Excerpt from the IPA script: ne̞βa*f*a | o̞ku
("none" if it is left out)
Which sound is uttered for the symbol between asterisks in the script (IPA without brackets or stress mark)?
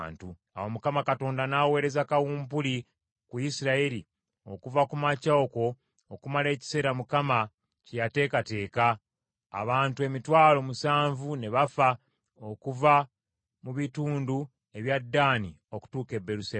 f